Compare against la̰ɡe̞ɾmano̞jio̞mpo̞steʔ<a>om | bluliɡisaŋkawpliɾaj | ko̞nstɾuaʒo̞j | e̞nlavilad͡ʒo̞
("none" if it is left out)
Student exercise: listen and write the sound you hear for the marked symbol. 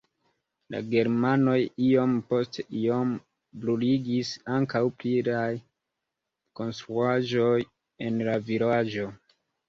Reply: i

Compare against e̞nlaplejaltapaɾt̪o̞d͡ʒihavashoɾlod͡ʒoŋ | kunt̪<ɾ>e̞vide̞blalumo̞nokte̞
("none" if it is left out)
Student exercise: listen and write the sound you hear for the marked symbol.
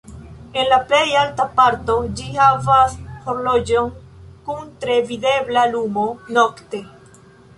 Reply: ɾ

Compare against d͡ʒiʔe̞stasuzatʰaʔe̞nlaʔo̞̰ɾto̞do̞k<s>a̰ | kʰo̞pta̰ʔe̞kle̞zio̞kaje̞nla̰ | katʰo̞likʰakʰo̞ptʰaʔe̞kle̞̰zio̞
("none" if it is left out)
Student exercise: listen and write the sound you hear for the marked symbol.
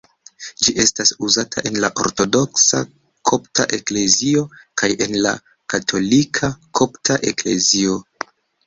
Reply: s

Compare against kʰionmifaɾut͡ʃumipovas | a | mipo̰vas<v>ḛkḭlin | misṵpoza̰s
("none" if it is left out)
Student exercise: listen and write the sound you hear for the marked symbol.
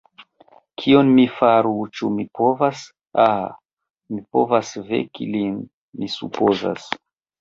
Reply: v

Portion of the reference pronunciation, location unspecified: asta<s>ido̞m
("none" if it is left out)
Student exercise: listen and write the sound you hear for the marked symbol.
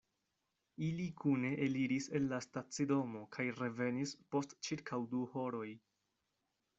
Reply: t͡s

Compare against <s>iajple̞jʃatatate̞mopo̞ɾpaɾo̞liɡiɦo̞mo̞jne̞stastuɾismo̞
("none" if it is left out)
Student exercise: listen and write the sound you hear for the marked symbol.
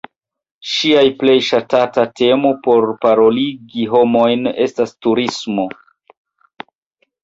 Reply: ʃ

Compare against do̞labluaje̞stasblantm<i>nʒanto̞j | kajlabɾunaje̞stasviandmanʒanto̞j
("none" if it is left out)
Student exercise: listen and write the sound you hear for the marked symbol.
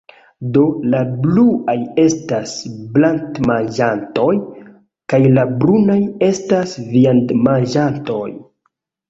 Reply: a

